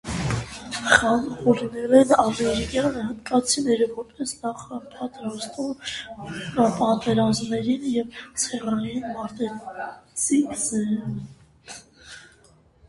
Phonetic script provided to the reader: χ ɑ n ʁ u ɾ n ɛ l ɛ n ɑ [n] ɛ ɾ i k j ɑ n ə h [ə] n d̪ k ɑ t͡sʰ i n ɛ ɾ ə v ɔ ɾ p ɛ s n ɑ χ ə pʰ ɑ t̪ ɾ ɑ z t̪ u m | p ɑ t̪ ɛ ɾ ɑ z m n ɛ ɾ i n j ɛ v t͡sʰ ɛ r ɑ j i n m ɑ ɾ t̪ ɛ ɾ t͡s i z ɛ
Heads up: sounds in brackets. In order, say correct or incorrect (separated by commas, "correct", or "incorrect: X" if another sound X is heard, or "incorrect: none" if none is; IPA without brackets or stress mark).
incorrect: m, correct